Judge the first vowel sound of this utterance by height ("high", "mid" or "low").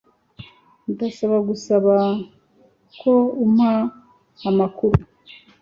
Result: low